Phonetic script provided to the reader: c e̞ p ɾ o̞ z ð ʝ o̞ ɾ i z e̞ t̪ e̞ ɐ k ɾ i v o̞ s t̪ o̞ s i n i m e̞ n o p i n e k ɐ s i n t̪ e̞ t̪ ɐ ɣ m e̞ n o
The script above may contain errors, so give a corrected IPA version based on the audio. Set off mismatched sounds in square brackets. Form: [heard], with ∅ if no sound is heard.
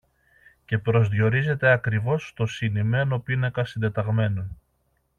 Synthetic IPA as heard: c e̞ p ɾ o̞ z ð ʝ o̞ ɾ i z e̞ t̪ e̞ ɐ k ɾ i v o̞ s t̪ o̞ s i n i m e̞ n o p i n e k ɐ s i n [d̪] e̞ t̪ ɐ ɣ m e̞ n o